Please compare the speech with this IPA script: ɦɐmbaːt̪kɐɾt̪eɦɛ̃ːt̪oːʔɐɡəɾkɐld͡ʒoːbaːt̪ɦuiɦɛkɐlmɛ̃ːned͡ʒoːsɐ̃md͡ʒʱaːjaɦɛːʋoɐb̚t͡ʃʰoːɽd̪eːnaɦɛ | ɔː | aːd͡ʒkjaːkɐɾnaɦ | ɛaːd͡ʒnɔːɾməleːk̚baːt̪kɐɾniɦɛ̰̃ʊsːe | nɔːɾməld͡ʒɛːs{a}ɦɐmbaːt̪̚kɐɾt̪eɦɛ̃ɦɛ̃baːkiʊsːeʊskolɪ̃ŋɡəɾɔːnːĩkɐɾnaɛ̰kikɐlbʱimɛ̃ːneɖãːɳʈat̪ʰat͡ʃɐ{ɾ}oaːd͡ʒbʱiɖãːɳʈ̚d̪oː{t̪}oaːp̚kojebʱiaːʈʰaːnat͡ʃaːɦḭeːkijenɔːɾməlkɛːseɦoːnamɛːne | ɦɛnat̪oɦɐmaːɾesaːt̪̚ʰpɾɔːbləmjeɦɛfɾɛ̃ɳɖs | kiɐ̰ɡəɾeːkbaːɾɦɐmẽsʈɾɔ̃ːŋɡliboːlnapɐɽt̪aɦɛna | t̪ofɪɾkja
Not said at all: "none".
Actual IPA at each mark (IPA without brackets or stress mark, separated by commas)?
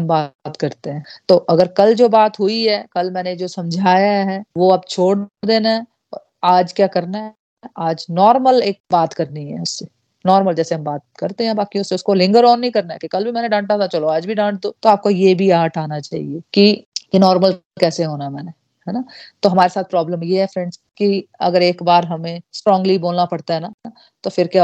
e, l, t̪